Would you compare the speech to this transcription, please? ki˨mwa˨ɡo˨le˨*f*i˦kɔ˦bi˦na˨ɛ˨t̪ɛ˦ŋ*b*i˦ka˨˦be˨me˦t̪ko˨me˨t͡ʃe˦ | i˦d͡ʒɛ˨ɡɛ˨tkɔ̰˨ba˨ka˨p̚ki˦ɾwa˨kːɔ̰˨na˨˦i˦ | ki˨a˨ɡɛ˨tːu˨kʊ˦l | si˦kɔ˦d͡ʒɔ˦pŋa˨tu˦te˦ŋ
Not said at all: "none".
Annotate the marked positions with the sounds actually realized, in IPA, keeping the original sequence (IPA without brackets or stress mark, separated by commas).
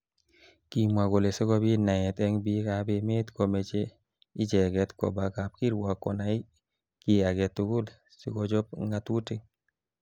s, b